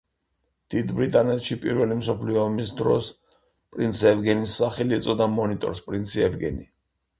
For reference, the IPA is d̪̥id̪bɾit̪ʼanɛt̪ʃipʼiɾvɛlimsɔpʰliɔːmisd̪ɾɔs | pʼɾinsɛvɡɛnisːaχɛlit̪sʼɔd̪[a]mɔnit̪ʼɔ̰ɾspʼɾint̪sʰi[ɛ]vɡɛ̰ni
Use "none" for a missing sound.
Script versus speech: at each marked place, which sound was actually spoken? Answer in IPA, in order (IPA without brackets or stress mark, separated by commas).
a, ɛ